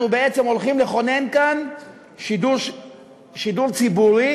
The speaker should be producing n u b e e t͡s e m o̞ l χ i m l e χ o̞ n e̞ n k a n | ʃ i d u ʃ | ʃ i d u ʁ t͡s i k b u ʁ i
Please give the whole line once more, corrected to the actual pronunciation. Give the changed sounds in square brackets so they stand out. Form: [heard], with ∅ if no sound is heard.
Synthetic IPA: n u b e e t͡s e m o̞ l χ i m l e χ o̞ n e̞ n k a n | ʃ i d u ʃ | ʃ i d u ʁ t͡s i [∅] b u ʁ i